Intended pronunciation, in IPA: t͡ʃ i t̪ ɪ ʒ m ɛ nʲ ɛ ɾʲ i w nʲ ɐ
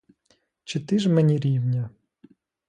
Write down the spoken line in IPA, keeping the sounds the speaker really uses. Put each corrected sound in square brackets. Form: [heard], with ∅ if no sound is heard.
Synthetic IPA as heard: t͡ʃ [ɪ] t̪ ɪ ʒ m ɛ nʲ [i] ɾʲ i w nʲ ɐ